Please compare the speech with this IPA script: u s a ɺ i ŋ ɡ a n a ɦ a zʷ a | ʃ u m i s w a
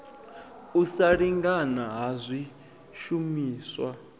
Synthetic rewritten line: u s a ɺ i ŋ ɡ a n a ɦ a zʷ i | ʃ u m iː s w a